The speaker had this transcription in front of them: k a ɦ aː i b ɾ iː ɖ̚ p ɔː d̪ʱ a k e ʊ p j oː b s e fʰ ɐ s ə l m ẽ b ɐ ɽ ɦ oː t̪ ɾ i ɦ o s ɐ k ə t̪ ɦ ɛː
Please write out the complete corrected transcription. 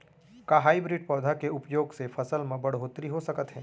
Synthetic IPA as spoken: k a ɦ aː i b ɾ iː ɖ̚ p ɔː d̪ʱ a k e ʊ p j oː ɡ s e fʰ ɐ s ə l m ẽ b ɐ ɽ ɦ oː t̪ ɾ i ɦ o s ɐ k ə t̪ ɦ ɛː

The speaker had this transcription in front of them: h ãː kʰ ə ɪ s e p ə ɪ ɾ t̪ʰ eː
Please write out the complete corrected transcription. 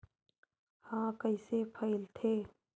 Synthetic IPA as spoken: h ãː k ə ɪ s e pʰ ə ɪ l t̪ʰ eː

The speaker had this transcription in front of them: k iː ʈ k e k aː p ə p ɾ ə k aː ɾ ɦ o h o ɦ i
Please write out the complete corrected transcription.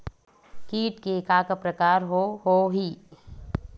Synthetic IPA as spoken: k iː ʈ k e k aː k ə p ɾ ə k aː ɾ ɦ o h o ɦ i

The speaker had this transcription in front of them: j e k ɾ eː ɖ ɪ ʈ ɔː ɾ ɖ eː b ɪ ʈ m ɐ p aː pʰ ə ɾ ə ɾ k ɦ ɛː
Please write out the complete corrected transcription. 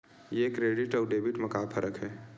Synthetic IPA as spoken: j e k ɾ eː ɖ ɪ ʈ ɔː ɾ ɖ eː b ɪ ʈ m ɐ k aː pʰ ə ɾ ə k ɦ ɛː

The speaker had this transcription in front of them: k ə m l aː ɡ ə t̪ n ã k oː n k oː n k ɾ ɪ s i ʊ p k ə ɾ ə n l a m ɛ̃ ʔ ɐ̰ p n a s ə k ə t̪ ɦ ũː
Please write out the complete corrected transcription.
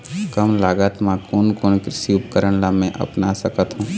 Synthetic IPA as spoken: k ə m l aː ɡ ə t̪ m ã k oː n k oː n k ɾ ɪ s i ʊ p k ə ɾ ə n l a m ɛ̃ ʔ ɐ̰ p n a s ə k ə t̪ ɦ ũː

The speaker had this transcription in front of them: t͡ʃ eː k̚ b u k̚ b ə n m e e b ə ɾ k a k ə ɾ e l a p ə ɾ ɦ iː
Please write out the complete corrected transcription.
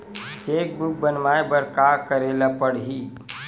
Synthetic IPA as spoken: t͡ʃ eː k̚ b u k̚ b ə n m a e b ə ɾ k a k ə ɾ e l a p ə ɽ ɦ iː

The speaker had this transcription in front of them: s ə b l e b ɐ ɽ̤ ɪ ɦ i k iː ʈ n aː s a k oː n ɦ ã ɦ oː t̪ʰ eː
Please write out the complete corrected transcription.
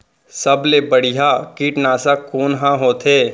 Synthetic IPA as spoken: s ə b l e b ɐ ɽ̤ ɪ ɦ a k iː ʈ n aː s a k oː n ɦ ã ɦ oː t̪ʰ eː

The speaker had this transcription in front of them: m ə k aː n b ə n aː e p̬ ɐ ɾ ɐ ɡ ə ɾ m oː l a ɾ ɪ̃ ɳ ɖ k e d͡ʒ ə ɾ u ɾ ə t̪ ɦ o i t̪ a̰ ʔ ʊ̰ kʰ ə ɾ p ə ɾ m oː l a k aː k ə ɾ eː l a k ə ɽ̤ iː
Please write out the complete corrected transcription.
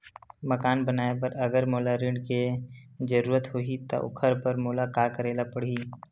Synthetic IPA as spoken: m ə k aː n b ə n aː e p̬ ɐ ɾ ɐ ɡ ə ɾ m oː l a ɾ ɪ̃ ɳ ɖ k e d͡ʒ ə ɾ uː ɾ ə t̪ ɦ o i t̪ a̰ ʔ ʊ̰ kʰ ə ɾ p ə ɾ m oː l a k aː k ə ɾ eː l a p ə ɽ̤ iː

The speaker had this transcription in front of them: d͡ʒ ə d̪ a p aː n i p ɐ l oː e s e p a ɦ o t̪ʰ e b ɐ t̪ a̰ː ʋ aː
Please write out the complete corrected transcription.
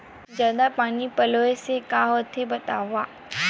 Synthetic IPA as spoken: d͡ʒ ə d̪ a p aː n i p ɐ l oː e s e k a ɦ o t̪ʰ e b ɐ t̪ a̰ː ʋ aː

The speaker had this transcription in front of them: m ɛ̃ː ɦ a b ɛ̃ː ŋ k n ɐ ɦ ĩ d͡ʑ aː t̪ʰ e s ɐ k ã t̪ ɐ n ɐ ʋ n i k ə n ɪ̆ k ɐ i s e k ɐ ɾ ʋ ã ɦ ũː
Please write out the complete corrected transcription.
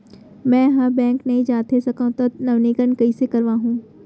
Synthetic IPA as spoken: m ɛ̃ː ɦ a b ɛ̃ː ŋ k n ɐ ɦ ĩ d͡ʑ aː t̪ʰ e s ɐ k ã t̪ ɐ n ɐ ʋ n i k ə n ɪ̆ k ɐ i s e k ɐ ɾ ʋ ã ɦ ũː

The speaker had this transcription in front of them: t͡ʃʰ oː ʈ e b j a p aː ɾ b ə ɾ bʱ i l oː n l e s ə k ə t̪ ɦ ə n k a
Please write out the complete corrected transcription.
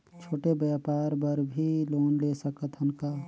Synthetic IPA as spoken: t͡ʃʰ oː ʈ e b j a p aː ɾ b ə ɾ bʱ i l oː n l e s ə k ə t̪ ɦ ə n k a

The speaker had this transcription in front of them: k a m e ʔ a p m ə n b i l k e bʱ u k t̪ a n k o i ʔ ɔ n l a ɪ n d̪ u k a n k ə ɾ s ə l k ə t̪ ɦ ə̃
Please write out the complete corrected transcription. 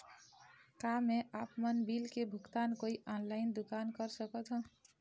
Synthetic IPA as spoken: k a m e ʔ a p m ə n b i l k e bʱ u k t̪ a n k o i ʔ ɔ n l a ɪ n d̪ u k a n k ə ɾ s ə k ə t̪ ɦ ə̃

